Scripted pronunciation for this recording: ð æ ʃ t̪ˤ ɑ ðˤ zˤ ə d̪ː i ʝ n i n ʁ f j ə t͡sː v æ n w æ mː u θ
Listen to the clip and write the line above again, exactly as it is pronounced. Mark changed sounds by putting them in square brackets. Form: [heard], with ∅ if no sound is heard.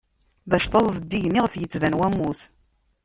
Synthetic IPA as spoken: ð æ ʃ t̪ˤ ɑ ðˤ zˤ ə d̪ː i ʝ n i [∅] ʁ f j ə t͡sː v æ n w æ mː u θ